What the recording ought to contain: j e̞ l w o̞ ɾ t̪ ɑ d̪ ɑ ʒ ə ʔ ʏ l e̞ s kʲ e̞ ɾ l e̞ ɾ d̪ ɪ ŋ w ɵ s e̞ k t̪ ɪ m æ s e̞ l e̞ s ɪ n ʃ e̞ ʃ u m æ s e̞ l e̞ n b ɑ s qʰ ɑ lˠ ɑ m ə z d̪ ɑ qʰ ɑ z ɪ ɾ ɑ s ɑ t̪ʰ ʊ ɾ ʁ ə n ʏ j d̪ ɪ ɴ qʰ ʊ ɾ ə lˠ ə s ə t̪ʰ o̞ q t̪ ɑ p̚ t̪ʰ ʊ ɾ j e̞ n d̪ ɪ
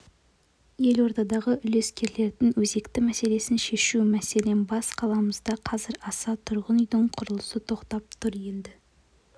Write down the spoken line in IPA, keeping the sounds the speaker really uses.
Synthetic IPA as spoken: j e̞ l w o̞ ɾ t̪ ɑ d̪ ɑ ʁ ə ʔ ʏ l e̞ s kʲ e̞ ɾ l e̞ ɾ d̪ ɪ ŋ w ɵ z e̞ k t̪ ɪ m æ s e̞ l e̞ s ɪ n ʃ e̞ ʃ u m æ s e̞ l e̞ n b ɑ s qʰ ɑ lˠ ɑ m ə z d̪ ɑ qʰ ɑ z ɪ ɾ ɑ s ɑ t̪ʰ ʊ ɾ ʁ ə n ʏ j d̪ ɪ ɴ qʰ ʊ ɾ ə lˠ ə s ə t̪ʰ o̞ q t̪ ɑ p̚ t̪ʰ ʊ ɾ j e̞ n d̪ ɪ

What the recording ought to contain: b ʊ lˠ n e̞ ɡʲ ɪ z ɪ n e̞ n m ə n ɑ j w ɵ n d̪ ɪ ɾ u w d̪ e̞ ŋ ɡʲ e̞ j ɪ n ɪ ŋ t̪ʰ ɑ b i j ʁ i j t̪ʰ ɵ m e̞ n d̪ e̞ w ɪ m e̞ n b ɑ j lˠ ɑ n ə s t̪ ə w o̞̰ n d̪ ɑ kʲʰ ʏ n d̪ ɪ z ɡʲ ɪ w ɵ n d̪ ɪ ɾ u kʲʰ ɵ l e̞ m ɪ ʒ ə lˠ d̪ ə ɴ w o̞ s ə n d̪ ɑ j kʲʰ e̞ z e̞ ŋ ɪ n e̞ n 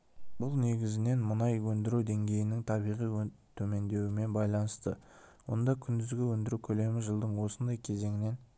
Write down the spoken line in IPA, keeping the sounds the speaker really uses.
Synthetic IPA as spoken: b ʊ lˠ n e̞ ɡʲ ɪ z ɪ n e̞ n m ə n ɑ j w ɵ n d̪ ɪ ɾ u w d̪ e̞ ŋ ɡʲ e̞ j ɪ n ɪ ŋ t̪ʰ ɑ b i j ʁ i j t̪ʰ ɵ m e̞ n d̪ e̞ w ɪ m e̞ n b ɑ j lˠ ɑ n ə s t̪ ə w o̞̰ n d̪ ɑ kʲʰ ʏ n d̪ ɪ z ɡʲ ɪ w ɵ n d̪ ɪ ɾ u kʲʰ ɵ l e̞ m ɪ ʒ ə lˠ d̪ ə ɴ w o̞ s ə n d̪ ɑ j kʲʰ e̞ z e̞ ŋ ɪ n e̞ n

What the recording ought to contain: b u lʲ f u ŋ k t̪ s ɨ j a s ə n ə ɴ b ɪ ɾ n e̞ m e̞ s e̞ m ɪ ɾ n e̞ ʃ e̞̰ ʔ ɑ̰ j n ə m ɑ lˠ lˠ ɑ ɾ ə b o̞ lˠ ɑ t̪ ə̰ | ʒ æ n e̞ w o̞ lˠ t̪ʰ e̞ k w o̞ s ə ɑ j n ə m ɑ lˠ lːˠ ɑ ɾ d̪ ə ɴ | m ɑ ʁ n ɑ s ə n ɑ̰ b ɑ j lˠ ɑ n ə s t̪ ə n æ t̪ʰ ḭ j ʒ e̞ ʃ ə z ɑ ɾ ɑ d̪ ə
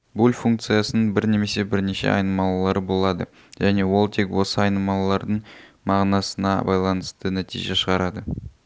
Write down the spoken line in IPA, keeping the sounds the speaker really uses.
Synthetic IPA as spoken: b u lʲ f u ŋ k t̪ s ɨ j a s ə n ə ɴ b ɪ ɾ n e̞ m e̞ s e̞ b ɪ ɾ n e̞ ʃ e̞̰ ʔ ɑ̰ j n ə m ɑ lˠ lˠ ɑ ɾ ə b o̞ lˠ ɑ d̪ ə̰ | ʒ æ n e̞ w o̞ lˠ t̪ʰ e̞ k w o̞ s ə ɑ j n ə m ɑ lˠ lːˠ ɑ ɾ d̪ ə ɴ | m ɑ ʁ n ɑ s ə n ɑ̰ b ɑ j lˠ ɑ n ə s t̪ ə n æ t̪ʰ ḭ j ʒ e̞ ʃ ə ʁ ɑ ɾ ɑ d̪ ə

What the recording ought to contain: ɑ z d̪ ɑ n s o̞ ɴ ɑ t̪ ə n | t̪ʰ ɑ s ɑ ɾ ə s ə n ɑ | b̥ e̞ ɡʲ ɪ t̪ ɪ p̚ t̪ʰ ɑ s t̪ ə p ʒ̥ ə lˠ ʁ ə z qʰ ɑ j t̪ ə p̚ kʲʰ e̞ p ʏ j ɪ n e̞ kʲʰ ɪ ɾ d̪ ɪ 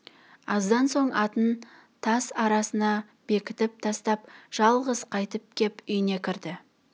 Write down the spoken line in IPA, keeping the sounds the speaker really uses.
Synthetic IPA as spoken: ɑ z d̪ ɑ n s o̞ ɴ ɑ t̪ ə n | t̪ʰ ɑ s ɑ ɾ ɑ s ə n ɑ | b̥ e̞ kʲ ɪ t̪ ɪ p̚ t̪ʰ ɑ s t̪ ɑ p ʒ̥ ɑ lˠ ʁ ə z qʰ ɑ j t̪ ə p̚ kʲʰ e̞ p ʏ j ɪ n e̞ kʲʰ ɪ ɾ d̪ ɪ

